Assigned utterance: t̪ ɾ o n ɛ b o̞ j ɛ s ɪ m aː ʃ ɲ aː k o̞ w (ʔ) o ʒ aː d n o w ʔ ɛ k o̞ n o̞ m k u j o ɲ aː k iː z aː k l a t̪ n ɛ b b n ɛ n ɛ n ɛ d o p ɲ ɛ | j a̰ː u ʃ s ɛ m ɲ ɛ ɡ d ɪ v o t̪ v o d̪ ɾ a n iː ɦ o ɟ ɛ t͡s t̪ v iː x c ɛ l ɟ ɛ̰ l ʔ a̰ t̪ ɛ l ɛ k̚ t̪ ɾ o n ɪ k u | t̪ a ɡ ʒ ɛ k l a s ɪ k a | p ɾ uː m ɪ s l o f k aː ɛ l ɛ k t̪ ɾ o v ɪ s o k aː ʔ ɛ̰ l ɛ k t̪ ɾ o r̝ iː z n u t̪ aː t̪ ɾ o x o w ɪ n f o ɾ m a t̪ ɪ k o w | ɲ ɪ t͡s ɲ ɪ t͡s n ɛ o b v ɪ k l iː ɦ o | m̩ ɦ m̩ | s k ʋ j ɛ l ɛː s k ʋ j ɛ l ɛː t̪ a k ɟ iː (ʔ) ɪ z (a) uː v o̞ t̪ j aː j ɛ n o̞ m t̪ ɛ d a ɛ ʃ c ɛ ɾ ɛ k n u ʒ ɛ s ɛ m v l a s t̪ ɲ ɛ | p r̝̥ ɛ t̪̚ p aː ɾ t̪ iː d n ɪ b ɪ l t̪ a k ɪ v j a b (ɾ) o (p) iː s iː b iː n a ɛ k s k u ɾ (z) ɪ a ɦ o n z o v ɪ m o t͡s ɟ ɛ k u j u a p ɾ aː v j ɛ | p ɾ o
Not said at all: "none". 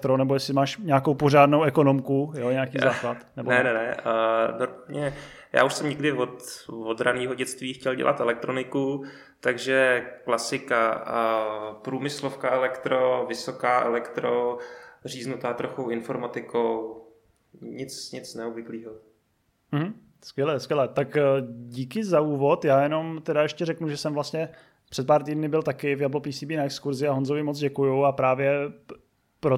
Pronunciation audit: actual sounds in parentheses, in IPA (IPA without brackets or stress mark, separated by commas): p, k, a, l, p, z